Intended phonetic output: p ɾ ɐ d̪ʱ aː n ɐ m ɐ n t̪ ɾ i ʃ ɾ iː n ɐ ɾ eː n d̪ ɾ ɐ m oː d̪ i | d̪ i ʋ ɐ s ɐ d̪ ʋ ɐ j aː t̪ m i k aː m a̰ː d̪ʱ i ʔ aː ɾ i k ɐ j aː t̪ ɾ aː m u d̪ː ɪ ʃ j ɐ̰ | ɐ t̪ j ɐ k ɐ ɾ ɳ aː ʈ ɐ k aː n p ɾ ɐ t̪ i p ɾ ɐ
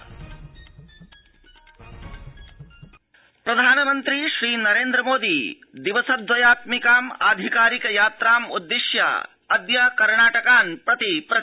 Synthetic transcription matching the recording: p ɾ ɐ d̪ʱ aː n ɐ m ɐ n t̪ ɾ i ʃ ɾ iː n ɐ ɾ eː n d̪ ɾ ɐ m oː d̪ i | d̪ i ʋ ɐ s ɐ d̪ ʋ ɐ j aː t̪ m i k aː m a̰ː d̪ʱ i k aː ɾ i k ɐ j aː t̪ ɾ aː m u d̪ː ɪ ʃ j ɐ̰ | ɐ d̪ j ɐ k ɐ ɾ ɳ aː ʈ ɐ k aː n p ɾ ɐ t̪ i p ɾ ɐ

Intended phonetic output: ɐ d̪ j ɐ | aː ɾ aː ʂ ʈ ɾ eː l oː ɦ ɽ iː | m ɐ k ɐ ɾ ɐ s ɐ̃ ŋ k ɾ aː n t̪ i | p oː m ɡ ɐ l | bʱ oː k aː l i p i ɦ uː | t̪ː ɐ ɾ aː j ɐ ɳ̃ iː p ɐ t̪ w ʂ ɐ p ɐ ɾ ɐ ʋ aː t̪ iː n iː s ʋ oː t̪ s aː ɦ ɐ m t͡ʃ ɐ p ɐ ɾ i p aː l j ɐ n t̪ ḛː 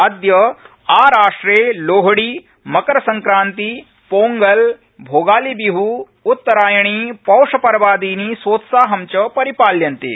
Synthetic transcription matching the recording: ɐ d̪ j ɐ | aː ɾ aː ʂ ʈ ɾ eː l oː ɦ ɽ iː | m ɐ k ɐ ɾ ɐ s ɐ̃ ŋ k ɾ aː n t̪ i | p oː ŋ ɡ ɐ l | bʱ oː ɡ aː l i b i ɦ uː | t̪ː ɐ ɾ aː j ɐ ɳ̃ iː p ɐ w ʂ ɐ p ɐ ɾ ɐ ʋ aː d̪ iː n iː s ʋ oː t̪ s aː ɦ ɐ m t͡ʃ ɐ p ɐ ɾ i p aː l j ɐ n t̪ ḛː

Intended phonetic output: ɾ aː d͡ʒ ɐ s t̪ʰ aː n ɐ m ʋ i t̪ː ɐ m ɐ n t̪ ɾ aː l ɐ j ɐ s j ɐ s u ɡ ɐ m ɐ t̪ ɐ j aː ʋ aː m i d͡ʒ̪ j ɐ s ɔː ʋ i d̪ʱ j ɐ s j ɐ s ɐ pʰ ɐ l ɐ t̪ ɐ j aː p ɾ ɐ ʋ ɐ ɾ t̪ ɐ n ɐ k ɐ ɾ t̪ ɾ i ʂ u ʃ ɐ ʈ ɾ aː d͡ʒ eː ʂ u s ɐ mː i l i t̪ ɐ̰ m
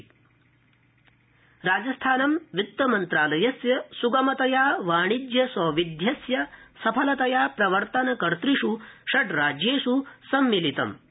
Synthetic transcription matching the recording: ɾ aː d͡ʒ ɐ s t̪ʰ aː n ɐ m ʋ i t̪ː ɐ m ɐ n t̪ ɾ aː l ɐ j ɐ s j ɐ s u ɡ ɐ m ɐ t̪ ɐ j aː ʋ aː ɳ i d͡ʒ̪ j ɐ s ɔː ʋ i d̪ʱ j ɐ s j ɐ s ɐ pʰ ɐ l ɐ t̪ ɐ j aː p ɾ ɐ ʋ ɐ ɾ t̪ ɐ n ɐ k ɐ ɾ t̪ ɾ i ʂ u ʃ ɐ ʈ ɾ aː d͡ʒ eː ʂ u s ɐ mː i l i t̪ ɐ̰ m

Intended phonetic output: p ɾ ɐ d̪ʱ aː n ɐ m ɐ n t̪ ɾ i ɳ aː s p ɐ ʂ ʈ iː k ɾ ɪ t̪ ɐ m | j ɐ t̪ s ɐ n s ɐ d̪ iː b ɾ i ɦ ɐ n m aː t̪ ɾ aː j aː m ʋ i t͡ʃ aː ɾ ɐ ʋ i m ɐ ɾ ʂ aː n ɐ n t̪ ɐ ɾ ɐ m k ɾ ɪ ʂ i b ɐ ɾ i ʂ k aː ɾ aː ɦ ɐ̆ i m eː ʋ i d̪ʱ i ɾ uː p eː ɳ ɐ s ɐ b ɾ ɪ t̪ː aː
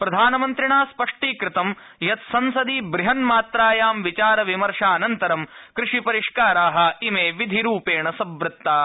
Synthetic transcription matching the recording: p ɾ ɐ d̪ʱ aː n ɐ m ɐ n t̪ ɾ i ɳ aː s p ɐ ʂ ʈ iː k ɾ ɪ t̪ ɐ m | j ɐ t̪ s ɐ n s ɐ d̪ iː b ɾ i ɦ ɐ n m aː t̪ ɾ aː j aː m ʋ i t͡ʃ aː ɾ ɐ ʋ i m ɐ ɾ ʂ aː n ɐ n t̪ ɐ ɾ ɐ m k ɾ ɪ ʂ i p ɐ ɾ i ʂ k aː ɾ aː ɦ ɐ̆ i m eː ʋ i d̪ʱ i ɾ uː p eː ɳ ɐ s ɐ b ɾ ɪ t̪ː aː

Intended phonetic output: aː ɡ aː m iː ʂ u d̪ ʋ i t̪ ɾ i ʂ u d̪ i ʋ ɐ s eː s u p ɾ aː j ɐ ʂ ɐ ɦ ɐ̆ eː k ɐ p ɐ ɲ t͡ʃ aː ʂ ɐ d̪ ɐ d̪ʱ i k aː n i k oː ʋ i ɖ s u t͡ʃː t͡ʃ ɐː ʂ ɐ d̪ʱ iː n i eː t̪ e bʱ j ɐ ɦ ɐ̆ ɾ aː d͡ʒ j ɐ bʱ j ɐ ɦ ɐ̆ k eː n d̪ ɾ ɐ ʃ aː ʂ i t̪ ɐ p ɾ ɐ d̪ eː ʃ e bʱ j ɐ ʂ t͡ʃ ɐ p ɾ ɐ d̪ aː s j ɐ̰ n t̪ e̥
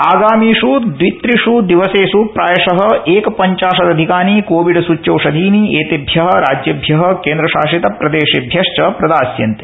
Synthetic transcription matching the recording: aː ɡ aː m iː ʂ u d̪ ʋ i t̪ ɾ i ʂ u d̪ i ʋ ɐ s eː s u p ɾ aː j ɐ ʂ ɐ ɦ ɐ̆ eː k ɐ p ɐ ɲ t͡ʃ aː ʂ ɐ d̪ ɐ d̪ʱ i k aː n i k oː ʋ i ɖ s u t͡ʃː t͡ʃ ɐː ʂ ɐ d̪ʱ iː n i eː t̪ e bʱ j ɐ ɦ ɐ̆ ɾ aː d͡ʒ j ɐ bʱ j ɐ ɦ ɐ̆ k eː n d̪ ɾ ɐ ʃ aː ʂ i t̪ ɐ p ɾ ɐ d̪ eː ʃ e bʱ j ɐ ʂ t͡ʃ ɐ p ɾ ɐ d̪ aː s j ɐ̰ n t̪ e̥

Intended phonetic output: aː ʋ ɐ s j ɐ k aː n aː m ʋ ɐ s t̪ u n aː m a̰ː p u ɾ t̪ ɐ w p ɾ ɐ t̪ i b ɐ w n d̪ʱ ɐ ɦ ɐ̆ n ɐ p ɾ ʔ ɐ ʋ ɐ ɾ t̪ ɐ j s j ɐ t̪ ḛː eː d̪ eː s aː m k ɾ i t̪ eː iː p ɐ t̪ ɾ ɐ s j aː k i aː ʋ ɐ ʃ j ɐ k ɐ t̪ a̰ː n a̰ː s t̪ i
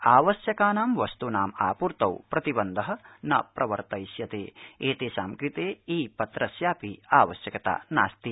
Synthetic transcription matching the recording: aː ʋ ɐ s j ɐ k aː n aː m ʋ ɐ s t̪ u n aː m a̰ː p u ɾ t̪ ɐ w p ɾ ɐ t̪ i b ɐ n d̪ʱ ɐ ɦ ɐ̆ n ɐ p ɾ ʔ ɐ ʋ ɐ ɾ t̪ ɐ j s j ɐ t̪ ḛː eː t̪ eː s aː m k ɾ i t̪ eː iː p ɐ t̪ ɾ ɐ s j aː p i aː ʋ ɐ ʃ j ɐ k ɐ t̪ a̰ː n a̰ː s t̪ i

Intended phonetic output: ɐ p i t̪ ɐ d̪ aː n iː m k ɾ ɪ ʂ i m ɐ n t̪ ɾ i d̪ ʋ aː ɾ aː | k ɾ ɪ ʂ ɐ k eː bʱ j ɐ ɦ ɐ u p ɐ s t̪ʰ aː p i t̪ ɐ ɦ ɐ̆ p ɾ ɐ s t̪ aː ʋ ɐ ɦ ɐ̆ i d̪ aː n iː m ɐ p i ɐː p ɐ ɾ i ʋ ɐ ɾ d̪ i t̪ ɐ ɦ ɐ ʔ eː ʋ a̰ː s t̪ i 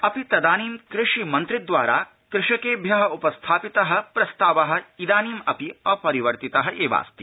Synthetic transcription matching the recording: ɐ p i t̪ ɐ d̪ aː n iː m k ɾ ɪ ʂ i m ɐ n t̪ ɾ i d̪ ʋ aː ɾ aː | k ɾ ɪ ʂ ɐ k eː bʱ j ɐ ɦ ɐ u p ɐ s t̪ʰ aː p i t̪ ɐ ɦ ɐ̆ p ɾ ɐ s t̪ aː ʋ ɐ ɦ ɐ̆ i d̪ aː n iː m ɐ p i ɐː p ɐ ɾ i ʋ ɐ ɾ t̪ i t̪ ɐ ɦ ɐ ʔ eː ʋ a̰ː s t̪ i

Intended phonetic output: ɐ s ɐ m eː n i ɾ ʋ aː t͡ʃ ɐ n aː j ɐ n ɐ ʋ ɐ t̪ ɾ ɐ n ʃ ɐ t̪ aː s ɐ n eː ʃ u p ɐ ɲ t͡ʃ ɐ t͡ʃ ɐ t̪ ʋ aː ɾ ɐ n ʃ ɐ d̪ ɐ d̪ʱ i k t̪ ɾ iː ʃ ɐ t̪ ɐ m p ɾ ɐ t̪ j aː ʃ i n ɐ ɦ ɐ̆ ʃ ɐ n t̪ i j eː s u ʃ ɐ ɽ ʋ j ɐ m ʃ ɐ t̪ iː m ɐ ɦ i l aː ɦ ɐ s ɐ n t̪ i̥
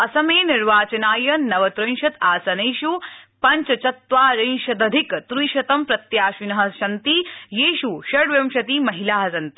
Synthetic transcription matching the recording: ɐ s ɐ m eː n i ɾ ʋ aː t͡ʃ ɐ n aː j ɐ n ɐ ʋ ɐ t̪ ɾ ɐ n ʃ ɐ t̪ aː s ɐ n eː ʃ u p ɐ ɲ t͡ʃ ɐ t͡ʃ ɐ t̪ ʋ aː ɾ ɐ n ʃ ɐ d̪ ɐ d̪ʱ i k t̪ ɾ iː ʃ ɐ t̪ ɐ m p ɾ ɐ t̪ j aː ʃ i n ɐ ɦ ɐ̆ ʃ ɐ n t̪ i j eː ʃ u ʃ ɐ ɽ ʋ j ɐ m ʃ ɐ t̪ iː m ɐ ɦ i l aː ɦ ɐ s ɐ n t̪ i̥

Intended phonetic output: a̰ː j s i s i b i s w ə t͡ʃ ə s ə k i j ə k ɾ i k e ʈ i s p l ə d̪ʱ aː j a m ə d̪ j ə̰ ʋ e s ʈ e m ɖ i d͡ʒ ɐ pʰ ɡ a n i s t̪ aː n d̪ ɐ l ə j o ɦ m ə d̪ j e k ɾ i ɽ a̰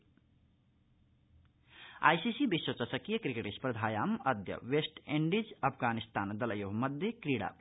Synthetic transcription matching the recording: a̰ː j s i s i b i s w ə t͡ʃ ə s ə k i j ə k ɾ i k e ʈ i s p ɾ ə d̪ʱ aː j a m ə d̪ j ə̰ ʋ e s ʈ e ɳ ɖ i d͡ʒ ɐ pʰ ɡ a n i s t̪ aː n d̪ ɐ l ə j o ɦ m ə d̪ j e k ɾ i ɽ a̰

